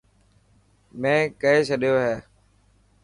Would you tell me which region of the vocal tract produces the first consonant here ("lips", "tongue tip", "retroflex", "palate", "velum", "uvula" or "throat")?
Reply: lips